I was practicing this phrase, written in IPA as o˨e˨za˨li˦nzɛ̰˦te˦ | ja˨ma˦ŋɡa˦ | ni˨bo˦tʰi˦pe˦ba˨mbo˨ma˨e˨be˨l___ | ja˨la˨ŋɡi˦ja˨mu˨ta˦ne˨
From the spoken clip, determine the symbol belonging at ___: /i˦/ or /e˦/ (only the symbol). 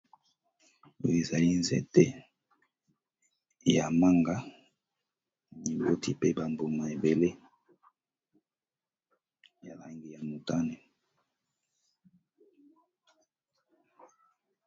e˦